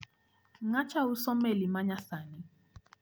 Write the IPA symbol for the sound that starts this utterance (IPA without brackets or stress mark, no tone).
ŋ